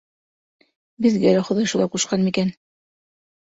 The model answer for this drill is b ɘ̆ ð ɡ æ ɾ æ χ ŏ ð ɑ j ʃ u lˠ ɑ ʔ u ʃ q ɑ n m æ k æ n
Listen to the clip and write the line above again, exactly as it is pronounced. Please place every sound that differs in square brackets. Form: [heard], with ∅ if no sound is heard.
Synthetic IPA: b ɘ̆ ð ɡ æ [l] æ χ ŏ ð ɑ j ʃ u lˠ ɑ [q] u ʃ q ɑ n m [i] k æ n